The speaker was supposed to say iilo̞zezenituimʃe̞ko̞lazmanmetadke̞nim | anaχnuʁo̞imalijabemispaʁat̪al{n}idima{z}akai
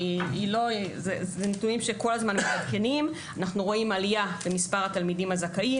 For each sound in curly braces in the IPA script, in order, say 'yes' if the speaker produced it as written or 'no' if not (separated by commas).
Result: no, yes